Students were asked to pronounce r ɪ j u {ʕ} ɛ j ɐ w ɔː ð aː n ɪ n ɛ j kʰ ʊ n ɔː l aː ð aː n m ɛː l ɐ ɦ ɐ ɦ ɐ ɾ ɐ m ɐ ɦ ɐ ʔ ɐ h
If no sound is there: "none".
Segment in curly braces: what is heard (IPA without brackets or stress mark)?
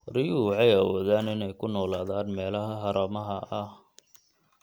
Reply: ʕ